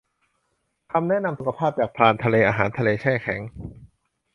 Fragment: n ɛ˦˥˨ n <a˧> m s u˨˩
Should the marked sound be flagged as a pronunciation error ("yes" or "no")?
no